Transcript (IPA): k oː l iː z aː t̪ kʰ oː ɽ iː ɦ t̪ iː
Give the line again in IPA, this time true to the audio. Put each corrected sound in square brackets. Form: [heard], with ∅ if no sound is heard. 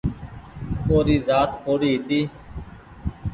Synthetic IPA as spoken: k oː [ɾ] iː z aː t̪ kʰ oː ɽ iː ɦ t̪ iː

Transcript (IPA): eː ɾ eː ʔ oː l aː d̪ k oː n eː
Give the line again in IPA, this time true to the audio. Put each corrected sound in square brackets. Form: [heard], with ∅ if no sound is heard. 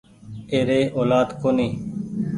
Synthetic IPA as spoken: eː ɾ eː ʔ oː l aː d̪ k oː n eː

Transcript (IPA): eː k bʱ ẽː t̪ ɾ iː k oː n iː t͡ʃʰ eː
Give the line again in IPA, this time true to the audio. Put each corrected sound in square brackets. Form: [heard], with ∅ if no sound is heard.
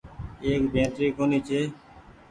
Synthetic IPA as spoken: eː k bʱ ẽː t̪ ɾ iː k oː n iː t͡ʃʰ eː

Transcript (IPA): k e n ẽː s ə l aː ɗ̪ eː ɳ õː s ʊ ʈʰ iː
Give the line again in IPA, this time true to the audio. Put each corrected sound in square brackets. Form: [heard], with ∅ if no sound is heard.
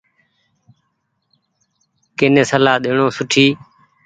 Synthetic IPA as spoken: k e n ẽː s ə l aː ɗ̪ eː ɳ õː s ʊ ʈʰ iː

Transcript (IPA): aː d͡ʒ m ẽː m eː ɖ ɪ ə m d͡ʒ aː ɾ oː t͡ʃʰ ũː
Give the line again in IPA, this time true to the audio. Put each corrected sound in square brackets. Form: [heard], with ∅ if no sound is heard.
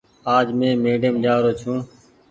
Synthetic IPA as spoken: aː d͡ʒ m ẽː m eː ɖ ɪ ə m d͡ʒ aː ɾ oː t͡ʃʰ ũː

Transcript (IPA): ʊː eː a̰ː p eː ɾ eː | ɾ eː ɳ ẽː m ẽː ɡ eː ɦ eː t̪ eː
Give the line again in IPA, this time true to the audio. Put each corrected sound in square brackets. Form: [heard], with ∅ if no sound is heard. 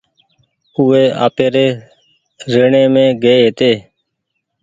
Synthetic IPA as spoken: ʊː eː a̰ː p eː ɾ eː | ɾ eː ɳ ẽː m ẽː ɡ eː ɦ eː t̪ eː

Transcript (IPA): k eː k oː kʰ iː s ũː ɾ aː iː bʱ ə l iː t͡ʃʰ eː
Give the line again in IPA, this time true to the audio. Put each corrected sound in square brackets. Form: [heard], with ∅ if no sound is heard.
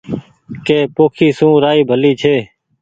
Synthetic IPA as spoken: k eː [p] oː kʰ iː s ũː ɾ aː iː bʱ ə l iː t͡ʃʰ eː

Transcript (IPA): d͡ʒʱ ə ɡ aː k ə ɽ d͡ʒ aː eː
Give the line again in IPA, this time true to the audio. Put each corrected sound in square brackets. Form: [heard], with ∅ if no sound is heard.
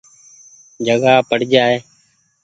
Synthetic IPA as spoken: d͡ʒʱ ə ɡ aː [p] ə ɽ d͡ʒ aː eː

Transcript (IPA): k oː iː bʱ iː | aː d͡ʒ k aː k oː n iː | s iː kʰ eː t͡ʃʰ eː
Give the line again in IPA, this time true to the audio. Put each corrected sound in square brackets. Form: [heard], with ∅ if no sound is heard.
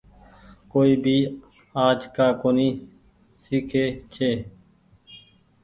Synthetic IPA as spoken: k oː iː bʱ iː | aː d͡ʒ k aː k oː n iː | s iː kʰ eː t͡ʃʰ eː

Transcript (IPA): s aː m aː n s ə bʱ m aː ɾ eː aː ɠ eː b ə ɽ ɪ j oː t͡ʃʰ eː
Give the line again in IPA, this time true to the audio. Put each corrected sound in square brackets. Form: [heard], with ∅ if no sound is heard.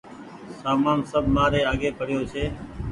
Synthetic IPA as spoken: s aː m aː n s ə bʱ m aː ɾ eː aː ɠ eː [p] ə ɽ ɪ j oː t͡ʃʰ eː

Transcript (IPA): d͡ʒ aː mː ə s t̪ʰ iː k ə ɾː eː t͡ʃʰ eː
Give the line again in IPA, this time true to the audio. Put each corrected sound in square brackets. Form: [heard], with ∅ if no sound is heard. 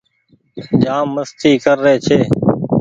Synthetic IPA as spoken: d͡ʒ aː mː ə s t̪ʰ iː k ə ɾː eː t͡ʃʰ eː

